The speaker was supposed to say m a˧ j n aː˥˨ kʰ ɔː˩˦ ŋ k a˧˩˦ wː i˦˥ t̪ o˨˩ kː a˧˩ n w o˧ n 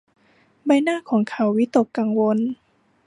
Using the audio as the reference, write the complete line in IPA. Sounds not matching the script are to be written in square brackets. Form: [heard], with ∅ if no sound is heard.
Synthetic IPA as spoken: [b] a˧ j n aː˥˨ kʰ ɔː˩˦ ŋ [kʰ] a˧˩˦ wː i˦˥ t̪ o˨˩ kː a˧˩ [ŋ] w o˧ n